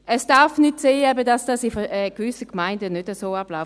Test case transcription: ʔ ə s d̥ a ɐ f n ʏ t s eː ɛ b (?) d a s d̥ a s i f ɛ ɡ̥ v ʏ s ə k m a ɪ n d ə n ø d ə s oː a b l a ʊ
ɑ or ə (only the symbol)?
ə